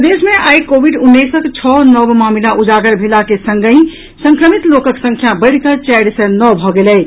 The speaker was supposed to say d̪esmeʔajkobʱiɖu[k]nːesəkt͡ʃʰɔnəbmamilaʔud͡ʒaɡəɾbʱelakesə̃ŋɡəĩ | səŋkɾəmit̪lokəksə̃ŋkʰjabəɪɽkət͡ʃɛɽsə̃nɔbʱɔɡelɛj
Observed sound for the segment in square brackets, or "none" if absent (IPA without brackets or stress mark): none